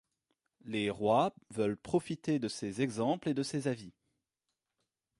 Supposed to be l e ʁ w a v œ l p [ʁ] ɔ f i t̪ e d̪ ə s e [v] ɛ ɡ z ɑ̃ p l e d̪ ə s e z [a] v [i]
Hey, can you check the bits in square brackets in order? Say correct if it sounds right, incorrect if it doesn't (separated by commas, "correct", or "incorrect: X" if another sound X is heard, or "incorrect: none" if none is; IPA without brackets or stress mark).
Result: incorrect: χ, incorrect: z, correct, correct